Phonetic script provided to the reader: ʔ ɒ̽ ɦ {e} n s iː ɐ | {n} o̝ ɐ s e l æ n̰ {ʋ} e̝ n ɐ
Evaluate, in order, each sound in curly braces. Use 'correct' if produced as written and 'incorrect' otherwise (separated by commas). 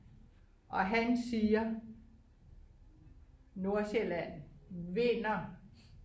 incorrect, correct, correct